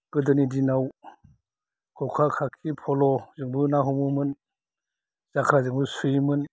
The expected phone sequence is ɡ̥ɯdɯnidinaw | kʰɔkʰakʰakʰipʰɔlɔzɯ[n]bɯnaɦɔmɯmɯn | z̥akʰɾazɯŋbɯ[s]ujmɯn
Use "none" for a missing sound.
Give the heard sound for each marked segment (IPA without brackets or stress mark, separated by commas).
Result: ŋ, s